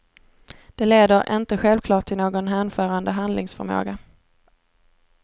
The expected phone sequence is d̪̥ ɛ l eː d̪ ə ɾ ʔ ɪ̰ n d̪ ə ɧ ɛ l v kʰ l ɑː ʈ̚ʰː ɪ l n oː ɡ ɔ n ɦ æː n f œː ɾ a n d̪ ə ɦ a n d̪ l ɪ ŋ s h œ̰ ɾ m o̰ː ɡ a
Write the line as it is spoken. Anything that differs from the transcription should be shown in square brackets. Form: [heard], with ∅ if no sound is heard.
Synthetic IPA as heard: d̪̥ ɛ l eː d̪ ə ɾ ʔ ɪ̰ n [t̪] ə ɧ ɛ l v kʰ l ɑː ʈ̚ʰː ɪ l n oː ɡ ɔ n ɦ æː n f œː ɾ a n d̪ ə ɦ a n d̪ l ɪ ŋ s [f] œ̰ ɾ m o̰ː ɡ a